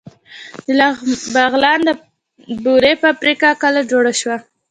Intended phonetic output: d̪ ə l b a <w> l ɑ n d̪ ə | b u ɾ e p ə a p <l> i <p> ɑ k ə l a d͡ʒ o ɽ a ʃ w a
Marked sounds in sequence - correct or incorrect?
incorrect: ɣ, incorrect: ɾ, incorrect: k

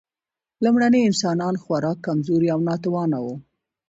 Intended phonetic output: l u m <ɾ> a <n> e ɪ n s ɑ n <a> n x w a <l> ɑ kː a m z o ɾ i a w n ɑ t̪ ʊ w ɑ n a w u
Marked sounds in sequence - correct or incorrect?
incorrect: ɽ, correct, incorrect: ɑ, incorrect: ɾ

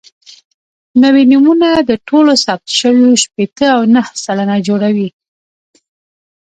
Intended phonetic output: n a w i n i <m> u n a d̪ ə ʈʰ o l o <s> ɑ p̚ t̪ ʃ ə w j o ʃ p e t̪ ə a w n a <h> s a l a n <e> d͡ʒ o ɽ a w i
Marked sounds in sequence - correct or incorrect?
correct, correct, correct, incorrect: a

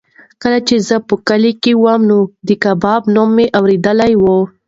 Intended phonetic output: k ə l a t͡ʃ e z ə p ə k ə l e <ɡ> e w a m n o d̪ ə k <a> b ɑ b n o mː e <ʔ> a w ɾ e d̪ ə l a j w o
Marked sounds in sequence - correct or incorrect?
incorrect: k, correct, correct

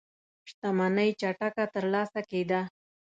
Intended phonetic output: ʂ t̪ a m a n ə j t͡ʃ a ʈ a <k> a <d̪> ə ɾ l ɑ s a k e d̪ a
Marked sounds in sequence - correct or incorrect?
correct, incorrect: t̪

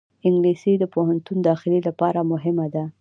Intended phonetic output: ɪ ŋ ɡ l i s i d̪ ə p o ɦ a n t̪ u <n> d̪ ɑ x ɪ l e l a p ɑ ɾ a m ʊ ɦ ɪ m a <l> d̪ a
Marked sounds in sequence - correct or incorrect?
correct, incorrect: none

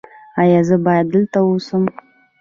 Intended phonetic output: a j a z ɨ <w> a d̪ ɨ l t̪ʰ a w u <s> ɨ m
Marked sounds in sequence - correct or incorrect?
incorrect: b, correct

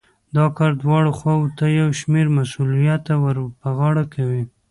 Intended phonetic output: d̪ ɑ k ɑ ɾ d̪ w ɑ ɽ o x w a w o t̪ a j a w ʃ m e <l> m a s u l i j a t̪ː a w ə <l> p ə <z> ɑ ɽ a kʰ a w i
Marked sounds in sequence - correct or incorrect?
incorrect: ɾ, incorrect: ɾ, incorrect: ɣ

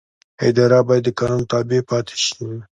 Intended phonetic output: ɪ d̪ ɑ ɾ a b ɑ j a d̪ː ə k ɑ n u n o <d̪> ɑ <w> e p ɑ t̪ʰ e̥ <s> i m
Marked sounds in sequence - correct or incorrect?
incorrect: t̪, incorrect: b, incorrect: ʃ

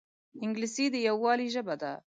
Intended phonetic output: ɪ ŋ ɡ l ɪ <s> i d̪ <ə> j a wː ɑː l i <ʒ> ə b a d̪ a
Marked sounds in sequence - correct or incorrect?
correct, correct, correct

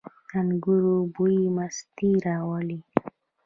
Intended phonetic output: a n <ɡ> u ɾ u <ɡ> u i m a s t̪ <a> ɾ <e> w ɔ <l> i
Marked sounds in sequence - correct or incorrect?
correct, incorrect: b, incorrect: i, incorrect: a, correct

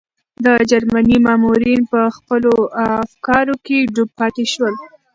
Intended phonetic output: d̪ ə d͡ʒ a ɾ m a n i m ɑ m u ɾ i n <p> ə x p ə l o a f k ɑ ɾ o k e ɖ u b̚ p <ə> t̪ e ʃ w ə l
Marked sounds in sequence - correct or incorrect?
correct, incorrect: ɑ

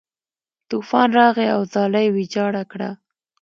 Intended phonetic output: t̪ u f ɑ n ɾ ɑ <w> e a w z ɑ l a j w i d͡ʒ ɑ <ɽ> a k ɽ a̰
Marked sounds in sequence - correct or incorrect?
incorrect: ɣ, correct

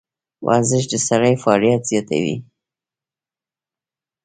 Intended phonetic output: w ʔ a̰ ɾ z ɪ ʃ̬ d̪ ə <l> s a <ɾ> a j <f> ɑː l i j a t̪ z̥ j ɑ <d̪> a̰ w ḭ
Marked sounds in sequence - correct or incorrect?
incorrect: none, correct, correct, incorrect: t̪

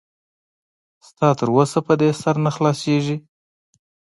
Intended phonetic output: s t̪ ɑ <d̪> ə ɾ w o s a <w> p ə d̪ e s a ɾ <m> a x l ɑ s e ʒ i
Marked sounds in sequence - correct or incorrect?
incorrect: t̪, incorrect: none, incorrect: n

